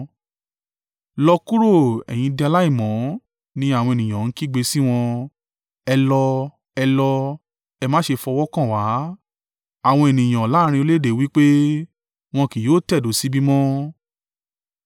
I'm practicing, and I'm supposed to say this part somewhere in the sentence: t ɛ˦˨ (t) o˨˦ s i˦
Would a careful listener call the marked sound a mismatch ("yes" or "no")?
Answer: yes